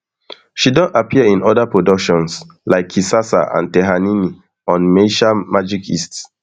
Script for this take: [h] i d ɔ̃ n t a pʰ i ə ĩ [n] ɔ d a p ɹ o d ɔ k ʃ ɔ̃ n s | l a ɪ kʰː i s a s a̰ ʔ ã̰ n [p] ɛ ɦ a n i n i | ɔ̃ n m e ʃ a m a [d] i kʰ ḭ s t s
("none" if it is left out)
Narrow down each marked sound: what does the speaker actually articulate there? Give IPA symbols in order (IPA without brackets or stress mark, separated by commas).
ʃ, n, t, d͡ʒ